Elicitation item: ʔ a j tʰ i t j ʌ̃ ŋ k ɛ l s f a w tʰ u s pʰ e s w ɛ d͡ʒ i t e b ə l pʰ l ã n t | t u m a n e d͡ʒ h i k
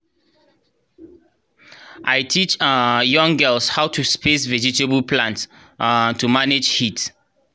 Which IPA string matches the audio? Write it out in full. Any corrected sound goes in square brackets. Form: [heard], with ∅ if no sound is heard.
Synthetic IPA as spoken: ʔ a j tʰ i [t͡ʃ] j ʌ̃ ŋ [ɡ] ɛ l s [h] a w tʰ u s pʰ e s [v] ɛ d͡ʒ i t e b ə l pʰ l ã n t | t u m a n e d͡ʒ h i [t]